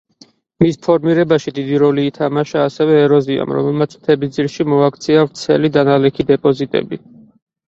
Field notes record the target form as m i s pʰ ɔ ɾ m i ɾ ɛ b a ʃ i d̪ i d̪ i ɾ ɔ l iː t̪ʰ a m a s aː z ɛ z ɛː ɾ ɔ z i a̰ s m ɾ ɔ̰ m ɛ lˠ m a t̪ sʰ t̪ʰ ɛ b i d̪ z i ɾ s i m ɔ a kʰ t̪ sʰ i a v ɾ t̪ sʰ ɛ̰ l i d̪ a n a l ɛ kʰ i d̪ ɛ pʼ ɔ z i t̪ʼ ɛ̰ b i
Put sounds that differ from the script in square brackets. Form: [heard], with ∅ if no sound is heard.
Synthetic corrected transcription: m i s pʰ ɔ ɾ m i ɾ ɛ b a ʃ i d̪ i d̪ i ɾ ɔ l iː t̪ʰ a m a [ʃ] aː [s] ɛ [v] ɛː ɾ ɔ z i a̰ [∅] m ɾ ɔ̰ m ɛ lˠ m a t̪ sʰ t̪ʰ ɛ b i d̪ z i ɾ [ʃ] i m ɔ a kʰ t̪ sʰ i a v ɾ t̪ sʰ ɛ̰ l i d̪ a n a l ɛ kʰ i d̪ ɛ pʼ ɔ z i t̪ʼ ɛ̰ b i